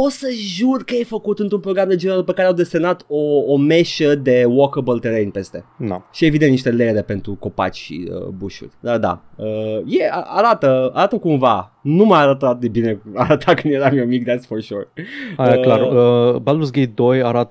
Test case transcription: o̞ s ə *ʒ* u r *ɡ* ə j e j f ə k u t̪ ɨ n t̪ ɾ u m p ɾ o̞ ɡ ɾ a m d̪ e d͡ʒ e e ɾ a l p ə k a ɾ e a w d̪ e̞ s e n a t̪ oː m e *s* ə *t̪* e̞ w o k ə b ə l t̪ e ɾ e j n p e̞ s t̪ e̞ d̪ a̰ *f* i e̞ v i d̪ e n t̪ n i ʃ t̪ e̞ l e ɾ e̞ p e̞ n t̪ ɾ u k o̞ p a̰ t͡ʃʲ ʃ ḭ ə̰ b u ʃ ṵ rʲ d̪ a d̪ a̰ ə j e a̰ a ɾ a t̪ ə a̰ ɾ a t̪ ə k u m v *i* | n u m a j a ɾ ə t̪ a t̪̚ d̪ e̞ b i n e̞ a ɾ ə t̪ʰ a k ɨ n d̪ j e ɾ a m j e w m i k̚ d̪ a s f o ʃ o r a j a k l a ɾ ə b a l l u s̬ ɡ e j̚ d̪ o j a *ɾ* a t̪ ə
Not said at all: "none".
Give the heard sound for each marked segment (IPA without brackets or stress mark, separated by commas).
ʒ, k, ʃ, d̪, ʃ, a, ɾ